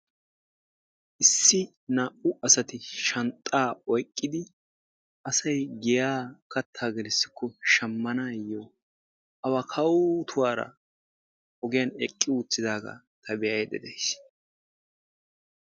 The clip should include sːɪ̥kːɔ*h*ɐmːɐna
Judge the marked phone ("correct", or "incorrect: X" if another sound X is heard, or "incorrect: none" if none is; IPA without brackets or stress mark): incorrect: ʃ